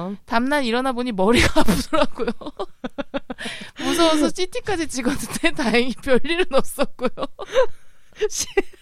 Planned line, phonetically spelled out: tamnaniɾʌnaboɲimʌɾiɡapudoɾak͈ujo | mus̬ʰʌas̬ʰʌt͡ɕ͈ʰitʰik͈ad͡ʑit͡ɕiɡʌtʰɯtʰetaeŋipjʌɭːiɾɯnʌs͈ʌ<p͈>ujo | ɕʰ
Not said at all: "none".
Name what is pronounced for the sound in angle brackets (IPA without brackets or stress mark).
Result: k͈